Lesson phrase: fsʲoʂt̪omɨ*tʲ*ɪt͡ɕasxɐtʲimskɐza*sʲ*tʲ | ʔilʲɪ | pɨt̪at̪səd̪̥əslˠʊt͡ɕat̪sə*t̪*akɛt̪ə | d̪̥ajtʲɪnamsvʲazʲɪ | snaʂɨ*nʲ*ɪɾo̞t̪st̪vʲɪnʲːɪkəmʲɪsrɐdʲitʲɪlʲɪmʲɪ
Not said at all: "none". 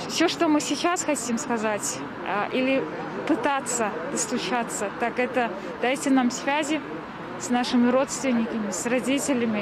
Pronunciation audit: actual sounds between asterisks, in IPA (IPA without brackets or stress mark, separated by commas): sʲ, none, t̪, mʲ